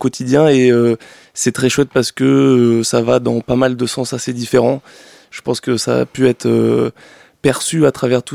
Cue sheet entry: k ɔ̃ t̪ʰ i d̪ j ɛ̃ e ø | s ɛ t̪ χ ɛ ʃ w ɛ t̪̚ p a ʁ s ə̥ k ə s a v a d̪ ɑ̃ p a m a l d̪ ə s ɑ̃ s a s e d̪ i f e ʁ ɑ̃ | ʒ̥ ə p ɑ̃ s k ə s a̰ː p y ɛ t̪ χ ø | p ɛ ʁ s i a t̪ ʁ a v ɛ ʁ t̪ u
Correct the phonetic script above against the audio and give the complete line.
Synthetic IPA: k ɔ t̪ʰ i d̪ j ɛ̃ e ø | s ɛ t̪ χ ɛ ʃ w ɛ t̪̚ p a ʁ s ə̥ k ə s a v a d̪ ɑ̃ p a m a l d̪ ə s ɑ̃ s a s e d̪ i f e ʁ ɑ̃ | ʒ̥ ə p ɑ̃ s k ə s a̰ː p y ɛ t̪ χ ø | p ɛ ʁ s y a t̪ χ a v ɛ ʁ t̪ u